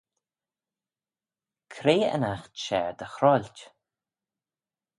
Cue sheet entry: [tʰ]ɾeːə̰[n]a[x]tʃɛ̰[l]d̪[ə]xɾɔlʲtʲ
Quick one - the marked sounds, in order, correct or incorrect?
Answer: incorrect: kʰ, correct, correct, incorrect: ɹ, correct

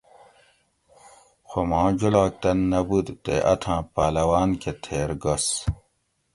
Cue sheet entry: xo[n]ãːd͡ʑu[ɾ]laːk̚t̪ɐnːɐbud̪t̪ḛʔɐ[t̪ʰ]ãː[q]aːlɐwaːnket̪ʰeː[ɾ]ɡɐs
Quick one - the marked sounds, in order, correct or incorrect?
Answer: incorrect: m, incorrect: none, correct, incorrect: p, correct

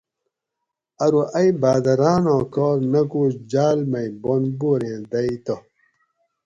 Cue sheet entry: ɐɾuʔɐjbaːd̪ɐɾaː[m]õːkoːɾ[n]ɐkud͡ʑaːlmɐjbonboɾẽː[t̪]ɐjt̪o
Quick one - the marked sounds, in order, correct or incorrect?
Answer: incorrect: n, correct, incorrect: d̪

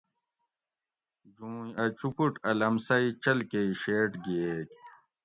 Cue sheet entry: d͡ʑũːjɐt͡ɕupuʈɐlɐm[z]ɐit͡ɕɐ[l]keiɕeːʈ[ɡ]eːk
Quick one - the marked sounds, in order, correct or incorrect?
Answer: incorrect: s, correct, correct

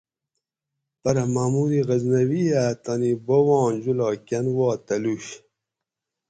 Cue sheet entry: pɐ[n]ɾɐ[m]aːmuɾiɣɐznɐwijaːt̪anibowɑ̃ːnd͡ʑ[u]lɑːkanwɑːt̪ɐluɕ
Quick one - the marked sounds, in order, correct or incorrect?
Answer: incorrect: none, correct, correct

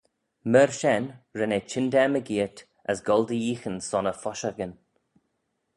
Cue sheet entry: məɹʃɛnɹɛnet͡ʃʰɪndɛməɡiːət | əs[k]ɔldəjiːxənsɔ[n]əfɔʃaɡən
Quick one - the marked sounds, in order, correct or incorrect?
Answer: incorrect: ɡ, correct

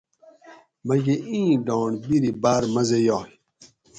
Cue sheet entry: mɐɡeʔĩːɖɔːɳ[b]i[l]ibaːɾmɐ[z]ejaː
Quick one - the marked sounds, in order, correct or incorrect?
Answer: correct, incorrect: ɾ, correct

